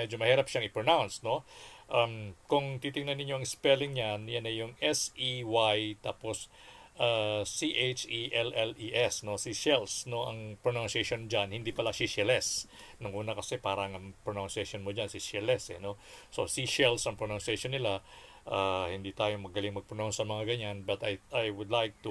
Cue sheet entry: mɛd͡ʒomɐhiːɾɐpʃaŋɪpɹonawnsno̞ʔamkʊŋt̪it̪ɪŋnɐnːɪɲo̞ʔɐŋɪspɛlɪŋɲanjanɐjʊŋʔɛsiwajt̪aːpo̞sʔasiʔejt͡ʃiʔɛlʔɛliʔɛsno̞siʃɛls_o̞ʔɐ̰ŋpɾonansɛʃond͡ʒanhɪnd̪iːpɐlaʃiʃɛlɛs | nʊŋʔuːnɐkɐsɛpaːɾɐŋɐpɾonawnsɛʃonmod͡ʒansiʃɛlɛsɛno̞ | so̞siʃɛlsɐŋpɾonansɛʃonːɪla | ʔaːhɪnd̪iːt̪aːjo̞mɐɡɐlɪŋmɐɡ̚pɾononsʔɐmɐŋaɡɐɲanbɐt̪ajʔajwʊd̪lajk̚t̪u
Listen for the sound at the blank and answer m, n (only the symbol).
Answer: n